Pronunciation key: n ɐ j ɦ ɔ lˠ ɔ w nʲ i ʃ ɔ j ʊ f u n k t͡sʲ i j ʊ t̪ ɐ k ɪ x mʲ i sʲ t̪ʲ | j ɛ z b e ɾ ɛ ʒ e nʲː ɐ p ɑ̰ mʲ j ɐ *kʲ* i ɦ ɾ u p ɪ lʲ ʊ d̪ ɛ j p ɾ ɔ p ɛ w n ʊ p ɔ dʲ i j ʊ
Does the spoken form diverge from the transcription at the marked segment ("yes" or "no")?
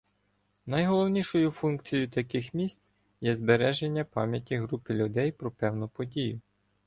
yes